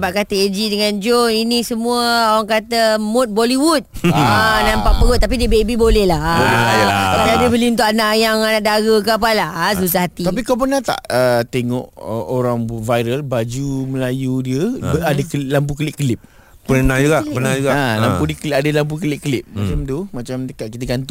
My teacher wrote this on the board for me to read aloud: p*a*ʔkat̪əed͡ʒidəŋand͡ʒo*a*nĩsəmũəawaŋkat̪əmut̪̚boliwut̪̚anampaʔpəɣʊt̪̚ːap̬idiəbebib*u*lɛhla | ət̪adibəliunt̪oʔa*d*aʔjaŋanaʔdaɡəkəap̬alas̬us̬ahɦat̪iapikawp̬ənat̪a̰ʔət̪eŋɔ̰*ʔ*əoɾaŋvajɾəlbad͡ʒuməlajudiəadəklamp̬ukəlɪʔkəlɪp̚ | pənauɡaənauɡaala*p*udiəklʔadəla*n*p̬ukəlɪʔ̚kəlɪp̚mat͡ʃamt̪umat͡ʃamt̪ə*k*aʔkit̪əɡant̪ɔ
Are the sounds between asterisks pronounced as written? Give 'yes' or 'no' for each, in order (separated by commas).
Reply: yes, no, no, no, yes, yes, no, yes